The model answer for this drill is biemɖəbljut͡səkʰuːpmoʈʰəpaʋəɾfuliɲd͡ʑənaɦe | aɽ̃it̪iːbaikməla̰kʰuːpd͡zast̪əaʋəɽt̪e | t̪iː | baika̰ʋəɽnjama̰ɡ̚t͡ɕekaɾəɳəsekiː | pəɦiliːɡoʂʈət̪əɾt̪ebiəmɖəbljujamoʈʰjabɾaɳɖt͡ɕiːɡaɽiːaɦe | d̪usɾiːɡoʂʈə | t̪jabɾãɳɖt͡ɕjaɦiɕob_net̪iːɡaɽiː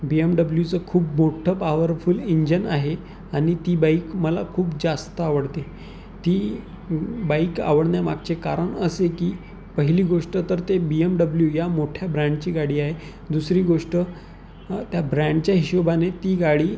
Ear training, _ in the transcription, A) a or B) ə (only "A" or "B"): A